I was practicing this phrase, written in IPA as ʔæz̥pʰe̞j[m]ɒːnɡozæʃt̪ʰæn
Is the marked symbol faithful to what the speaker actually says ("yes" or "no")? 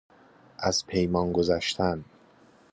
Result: yes